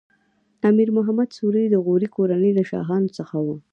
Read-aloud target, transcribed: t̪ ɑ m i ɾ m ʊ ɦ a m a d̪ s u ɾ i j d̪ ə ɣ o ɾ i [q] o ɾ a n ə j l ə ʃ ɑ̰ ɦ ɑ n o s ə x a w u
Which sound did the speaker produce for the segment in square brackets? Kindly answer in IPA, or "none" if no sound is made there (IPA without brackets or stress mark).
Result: k